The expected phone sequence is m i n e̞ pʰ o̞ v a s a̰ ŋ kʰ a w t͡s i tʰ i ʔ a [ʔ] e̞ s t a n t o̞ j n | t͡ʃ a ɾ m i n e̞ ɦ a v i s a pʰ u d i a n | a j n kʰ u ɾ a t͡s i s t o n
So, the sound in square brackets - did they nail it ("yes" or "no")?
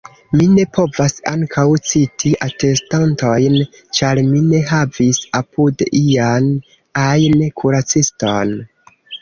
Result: no